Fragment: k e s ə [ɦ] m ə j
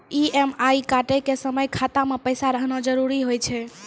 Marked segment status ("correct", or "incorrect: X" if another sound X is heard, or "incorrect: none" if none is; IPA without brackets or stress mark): incorrect: none